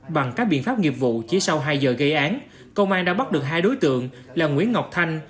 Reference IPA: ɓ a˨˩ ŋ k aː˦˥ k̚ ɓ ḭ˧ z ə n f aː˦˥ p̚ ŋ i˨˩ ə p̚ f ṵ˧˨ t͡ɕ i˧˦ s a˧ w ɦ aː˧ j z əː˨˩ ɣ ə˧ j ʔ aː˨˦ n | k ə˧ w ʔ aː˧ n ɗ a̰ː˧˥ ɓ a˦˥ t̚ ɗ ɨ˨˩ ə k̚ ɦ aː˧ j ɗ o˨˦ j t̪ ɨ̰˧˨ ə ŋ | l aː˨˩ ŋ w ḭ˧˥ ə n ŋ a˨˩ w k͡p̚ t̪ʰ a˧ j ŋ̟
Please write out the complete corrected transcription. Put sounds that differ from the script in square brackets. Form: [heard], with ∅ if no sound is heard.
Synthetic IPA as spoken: ɓ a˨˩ ŋ k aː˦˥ k̚ ɓ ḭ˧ [∅] ə n f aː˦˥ p̚ ŋ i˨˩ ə p̚ [v] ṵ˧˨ t͡ɕ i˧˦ s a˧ w ɦ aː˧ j z əː˨˩ ɣ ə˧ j ʔ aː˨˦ n | k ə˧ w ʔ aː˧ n ɗ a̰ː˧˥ ɓ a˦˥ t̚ ɗ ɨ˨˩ ə k̚ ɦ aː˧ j ɗ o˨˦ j t̪ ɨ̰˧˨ ə ŋ | l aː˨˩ ŋ w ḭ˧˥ ə n ŋ a˨˩ w k͡p̚ t̪ʰ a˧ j ŋ̟